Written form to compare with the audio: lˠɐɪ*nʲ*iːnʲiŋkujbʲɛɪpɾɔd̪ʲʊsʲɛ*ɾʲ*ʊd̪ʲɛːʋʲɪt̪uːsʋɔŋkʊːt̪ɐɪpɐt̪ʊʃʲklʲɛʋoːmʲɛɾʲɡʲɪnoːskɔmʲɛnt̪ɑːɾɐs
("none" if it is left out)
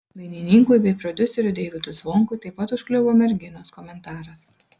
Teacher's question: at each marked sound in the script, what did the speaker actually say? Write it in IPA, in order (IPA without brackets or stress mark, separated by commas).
nʲ, ɾʲ